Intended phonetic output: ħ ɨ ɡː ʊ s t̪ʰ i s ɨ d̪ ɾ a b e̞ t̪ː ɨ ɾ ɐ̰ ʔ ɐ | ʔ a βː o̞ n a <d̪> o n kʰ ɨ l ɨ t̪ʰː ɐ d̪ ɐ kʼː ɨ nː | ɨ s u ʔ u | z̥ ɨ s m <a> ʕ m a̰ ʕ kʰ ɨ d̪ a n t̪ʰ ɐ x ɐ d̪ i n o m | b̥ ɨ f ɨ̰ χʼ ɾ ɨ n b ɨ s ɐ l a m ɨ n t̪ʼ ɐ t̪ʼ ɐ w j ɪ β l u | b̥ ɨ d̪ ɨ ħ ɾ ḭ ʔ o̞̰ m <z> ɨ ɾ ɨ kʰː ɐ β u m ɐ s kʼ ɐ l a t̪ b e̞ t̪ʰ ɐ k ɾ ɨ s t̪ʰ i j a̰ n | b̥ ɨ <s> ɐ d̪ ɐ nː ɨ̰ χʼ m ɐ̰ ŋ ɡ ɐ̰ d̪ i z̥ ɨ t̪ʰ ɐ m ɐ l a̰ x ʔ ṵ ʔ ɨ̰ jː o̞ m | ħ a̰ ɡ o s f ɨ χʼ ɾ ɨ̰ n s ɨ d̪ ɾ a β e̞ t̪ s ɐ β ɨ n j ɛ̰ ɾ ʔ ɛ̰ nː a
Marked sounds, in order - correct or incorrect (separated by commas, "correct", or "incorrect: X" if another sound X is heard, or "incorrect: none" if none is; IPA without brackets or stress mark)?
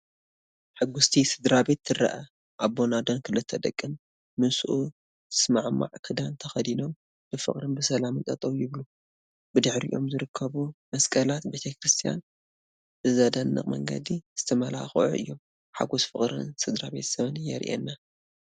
correct, correct, correct, incorrect: z